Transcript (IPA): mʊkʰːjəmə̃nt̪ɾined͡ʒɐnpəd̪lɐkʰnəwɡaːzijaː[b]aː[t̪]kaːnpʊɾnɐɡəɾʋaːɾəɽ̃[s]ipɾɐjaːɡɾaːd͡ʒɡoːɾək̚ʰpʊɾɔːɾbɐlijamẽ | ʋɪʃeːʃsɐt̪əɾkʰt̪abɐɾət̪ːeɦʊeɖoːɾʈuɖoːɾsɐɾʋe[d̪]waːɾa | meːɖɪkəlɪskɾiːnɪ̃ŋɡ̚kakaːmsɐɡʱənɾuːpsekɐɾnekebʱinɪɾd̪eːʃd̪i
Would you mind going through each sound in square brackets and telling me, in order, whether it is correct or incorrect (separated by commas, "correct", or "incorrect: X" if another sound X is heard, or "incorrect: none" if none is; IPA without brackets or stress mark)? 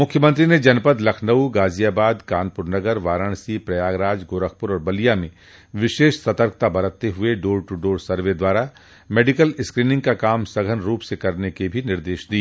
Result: correct, incorrect: d̪, correct, correct